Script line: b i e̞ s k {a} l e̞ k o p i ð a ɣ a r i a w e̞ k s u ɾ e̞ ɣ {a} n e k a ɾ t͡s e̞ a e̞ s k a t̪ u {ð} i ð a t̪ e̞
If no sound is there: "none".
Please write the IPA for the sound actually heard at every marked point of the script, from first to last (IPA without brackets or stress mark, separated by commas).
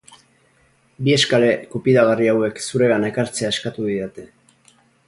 a, a, ð